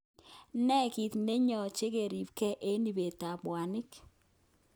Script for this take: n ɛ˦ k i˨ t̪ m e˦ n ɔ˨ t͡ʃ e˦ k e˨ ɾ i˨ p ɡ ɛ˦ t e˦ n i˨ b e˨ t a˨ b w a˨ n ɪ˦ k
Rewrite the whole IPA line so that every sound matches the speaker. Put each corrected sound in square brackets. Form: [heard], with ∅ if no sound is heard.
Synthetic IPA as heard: n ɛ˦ k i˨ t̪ [n] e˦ [ɲ] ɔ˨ t͡ʃ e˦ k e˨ ɾ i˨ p [k] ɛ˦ [ʔ] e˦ n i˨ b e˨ t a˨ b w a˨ n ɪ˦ k